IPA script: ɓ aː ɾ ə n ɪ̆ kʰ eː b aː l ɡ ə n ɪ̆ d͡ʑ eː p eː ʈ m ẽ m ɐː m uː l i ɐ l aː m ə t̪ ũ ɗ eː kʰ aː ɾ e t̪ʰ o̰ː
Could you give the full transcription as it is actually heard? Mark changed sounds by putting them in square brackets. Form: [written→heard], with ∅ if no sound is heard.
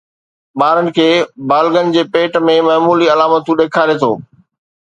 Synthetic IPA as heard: ɓ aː ɾ ə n ɪ̆ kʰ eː b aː l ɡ ə n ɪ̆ d͡ʑ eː p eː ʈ m ẽ m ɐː m uː l i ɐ l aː m ə t̪ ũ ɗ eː kʰ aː ɾ e t̪ʰ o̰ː